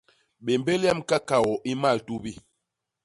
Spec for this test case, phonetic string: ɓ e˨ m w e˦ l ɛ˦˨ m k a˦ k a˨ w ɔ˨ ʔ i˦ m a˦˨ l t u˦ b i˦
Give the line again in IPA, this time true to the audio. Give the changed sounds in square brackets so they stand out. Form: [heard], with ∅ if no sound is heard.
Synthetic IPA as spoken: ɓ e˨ m [b] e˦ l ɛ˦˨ m k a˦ k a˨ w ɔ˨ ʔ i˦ m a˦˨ l t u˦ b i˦

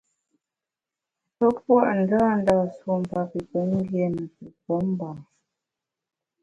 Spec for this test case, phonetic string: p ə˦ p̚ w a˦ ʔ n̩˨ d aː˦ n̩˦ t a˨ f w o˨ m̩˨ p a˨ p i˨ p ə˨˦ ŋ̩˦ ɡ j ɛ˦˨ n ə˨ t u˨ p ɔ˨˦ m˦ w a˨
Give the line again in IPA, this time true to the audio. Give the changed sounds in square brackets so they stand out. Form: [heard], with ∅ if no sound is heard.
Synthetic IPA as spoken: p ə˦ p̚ w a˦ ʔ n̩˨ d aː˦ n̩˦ [d] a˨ [s] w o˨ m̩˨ p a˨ p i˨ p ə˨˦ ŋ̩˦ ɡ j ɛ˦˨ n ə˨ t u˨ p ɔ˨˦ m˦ [b] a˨

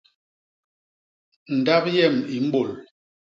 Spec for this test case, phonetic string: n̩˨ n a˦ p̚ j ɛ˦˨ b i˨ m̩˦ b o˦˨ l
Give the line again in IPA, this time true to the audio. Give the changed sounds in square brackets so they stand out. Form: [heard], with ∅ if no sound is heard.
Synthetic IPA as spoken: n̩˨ [d] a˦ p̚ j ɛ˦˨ [m] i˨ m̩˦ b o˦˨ l

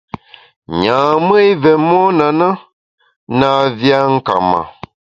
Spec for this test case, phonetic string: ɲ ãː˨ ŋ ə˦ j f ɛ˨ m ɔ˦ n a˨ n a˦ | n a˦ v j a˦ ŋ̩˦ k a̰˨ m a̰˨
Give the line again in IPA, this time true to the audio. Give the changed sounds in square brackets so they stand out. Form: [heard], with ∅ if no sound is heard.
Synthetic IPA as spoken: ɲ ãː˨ [m] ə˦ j [v] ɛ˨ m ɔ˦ n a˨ n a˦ | n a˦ v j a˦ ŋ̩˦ k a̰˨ m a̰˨

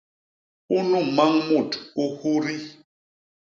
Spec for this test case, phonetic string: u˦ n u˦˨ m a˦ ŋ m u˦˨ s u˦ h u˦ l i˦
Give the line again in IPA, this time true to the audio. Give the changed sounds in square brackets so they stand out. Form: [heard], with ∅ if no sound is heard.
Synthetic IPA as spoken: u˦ n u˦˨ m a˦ ŋ m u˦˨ [t] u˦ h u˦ [ɾ] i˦

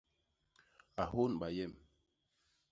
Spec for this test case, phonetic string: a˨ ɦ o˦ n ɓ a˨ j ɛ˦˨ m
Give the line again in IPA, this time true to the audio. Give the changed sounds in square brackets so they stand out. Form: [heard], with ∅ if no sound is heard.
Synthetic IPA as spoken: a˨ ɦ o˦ n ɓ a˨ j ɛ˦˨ m

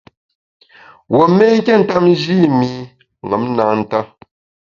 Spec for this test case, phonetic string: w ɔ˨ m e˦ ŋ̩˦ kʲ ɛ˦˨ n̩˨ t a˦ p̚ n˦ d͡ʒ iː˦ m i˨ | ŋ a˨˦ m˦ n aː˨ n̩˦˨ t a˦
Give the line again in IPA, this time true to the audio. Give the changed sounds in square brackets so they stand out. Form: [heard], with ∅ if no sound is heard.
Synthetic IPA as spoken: w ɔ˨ m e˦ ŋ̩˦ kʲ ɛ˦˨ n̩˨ t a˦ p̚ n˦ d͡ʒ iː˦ m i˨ | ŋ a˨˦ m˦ n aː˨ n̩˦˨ t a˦

